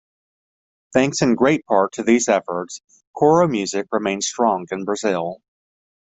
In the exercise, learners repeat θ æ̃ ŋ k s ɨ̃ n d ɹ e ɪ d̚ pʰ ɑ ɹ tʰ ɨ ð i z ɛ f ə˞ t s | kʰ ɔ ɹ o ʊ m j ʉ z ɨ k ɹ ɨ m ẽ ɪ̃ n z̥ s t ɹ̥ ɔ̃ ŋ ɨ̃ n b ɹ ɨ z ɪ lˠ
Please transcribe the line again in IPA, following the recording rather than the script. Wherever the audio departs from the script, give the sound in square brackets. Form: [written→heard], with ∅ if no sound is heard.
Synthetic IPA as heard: θ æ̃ ŋ k s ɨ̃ n [d→ɡ] ɹ e ɪ [d̚→t̚] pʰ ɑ ɹ tʰ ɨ ð i z ɛ f ə˞ t s | kʰ ɔ ɹ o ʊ m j ʉ z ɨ k ɹ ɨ m ẽ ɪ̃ n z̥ s t ɹ̥ ɔ̃ ŋ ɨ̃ n b ɹ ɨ z ɪ lˠ